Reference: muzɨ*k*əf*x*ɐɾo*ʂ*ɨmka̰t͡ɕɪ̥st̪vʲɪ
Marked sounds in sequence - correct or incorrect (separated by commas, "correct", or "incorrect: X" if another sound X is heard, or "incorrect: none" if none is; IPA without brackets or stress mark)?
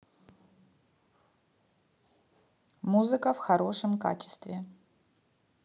correct, correct, correct